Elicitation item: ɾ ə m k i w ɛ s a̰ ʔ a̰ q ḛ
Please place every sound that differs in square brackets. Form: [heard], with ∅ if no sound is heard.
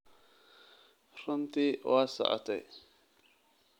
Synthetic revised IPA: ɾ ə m [t] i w [a] s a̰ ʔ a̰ [t] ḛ